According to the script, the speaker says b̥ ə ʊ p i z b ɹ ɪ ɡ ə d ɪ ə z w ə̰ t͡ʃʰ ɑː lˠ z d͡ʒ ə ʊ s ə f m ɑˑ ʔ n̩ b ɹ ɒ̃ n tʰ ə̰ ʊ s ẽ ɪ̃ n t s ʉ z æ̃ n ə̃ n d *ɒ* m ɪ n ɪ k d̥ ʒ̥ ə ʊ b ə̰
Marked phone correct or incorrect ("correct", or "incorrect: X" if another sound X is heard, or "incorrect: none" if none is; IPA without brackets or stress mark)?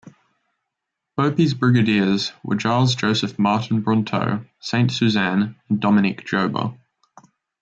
correct